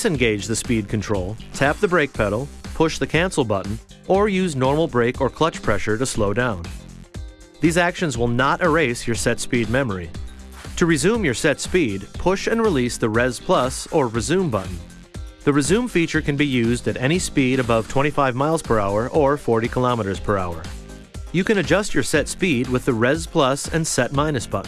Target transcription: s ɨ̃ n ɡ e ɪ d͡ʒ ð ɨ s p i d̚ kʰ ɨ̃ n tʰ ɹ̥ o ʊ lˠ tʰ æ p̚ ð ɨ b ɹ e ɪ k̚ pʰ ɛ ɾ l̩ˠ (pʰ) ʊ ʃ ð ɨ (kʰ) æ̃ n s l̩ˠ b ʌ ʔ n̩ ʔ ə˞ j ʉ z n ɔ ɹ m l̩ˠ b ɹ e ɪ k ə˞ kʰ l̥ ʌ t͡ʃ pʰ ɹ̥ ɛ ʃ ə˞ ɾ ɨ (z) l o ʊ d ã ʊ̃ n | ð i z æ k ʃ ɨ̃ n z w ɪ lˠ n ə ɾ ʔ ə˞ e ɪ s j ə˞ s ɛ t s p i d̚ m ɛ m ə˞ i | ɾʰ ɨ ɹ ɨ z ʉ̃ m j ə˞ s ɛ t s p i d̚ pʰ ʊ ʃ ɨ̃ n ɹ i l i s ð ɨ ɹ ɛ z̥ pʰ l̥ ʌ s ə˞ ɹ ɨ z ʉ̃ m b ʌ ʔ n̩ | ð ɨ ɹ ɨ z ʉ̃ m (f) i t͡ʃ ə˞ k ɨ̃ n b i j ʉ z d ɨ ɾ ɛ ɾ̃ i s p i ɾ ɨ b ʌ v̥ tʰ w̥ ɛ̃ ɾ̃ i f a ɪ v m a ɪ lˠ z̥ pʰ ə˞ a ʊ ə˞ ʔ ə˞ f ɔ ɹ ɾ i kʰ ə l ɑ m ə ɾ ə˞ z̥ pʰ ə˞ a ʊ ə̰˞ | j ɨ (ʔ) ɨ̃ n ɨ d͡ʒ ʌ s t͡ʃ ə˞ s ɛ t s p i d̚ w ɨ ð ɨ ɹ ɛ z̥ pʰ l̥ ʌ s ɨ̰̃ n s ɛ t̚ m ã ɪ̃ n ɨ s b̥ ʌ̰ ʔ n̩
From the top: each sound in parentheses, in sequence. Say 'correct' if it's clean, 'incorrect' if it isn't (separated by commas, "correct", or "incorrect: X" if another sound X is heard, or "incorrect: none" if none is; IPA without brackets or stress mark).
correct, correct, incorrect: s, correct, incorrect: k